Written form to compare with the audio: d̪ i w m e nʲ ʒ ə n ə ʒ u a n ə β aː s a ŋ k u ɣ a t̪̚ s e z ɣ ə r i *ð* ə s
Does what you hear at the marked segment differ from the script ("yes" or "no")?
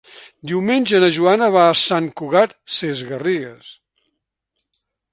yes